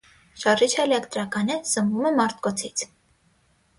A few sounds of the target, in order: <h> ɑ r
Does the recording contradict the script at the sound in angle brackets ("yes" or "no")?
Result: yes